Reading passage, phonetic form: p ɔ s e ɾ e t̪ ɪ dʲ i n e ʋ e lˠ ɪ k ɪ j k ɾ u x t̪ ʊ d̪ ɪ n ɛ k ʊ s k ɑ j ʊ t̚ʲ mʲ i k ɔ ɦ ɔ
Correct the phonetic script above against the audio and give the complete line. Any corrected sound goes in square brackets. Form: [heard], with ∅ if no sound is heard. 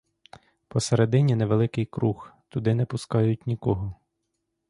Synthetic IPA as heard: p ɔ s e ɾ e [d̪] ɪ [nʲ] i n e ʋ e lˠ ɪ k ɪ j k ɾ u x t̪ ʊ d̪ ɪ n ɛ [p] ʊ s k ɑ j ʊ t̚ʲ [nʲ] i k ɔ ɦ ɔ

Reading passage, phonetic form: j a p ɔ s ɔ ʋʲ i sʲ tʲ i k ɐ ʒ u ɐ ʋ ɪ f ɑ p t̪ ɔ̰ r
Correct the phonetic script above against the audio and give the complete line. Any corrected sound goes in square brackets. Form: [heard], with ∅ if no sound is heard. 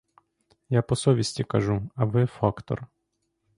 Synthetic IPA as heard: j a p ɔ s ɔ ʋʲ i sʲ tʲ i k ɐ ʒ u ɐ ʋ ɪ f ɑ [k] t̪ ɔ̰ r

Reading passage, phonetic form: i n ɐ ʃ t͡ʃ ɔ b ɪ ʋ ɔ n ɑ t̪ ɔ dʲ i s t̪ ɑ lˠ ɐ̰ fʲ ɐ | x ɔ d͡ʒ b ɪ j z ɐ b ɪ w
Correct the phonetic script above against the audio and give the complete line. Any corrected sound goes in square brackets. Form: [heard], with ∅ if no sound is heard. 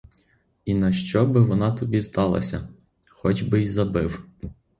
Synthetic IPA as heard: i n ɐ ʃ t͡ʃ ɔ b ɪ ʋ ɔ n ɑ t̪ ɔ [bʲ] i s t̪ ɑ lˠ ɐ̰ [sʲ] ɐ | x ɔ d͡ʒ b ɪ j z ɐ b ɪ w

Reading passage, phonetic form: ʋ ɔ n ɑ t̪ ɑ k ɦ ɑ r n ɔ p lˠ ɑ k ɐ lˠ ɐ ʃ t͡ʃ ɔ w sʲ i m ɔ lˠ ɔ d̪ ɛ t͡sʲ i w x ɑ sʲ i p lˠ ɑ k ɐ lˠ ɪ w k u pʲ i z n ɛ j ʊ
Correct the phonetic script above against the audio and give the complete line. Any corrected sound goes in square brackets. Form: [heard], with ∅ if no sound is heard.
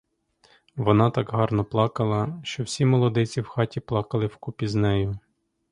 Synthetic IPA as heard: ʋ ɔ n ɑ t̪ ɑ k ɦ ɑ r n ɔ p lˠ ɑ k ɐ lˠ ɐ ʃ t͡ʃ ɔ w sʲ i m ɔ lˠ ɔ d̪ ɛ t͡sʲ i w x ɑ [tʲ] i p lˠ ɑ k ɐ lˠ ɪ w k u pʲ i z n ɛ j ʊ

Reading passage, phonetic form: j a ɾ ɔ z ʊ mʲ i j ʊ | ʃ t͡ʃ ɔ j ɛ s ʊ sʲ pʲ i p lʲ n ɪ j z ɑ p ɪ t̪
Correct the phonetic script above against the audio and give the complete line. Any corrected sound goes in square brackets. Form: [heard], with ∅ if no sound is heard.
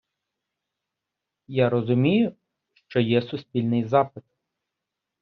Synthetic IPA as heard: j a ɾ ɔ z ʊ mʲ i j ʊ | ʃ t͡ʃ ɔ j ɛ s ʊ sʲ pʲ i [∅] lʲ n ɪ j z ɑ p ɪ t̪

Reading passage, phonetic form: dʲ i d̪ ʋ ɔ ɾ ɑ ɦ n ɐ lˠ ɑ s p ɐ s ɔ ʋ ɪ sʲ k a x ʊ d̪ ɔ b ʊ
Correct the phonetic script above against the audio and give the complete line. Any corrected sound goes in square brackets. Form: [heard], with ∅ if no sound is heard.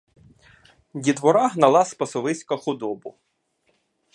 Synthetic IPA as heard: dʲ i d̪ ʋ ɔ ɾ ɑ ɦ n ɐ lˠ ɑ s p ɐ s ɔ ʋ ɪ sʲ k [ɐ] x ʊ d̪ ɔ b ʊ

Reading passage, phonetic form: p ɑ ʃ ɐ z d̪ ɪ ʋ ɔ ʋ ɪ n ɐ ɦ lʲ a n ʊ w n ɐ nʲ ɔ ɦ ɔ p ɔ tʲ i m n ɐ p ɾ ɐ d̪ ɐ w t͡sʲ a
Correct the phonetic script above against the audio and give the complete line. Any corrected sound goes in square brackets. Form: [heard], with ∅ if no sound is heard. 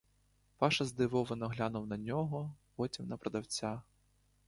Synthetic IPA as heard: p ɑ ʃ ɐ z d̪ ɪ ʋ ɔ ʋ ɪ n ɐ ɦ lʲ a n ʊ w n ɐ nʲ ɔ ɦ ɔ p ɔ tʲ i m n ɐ p ɾ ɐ d̪ ɐ w t͡sʲ a

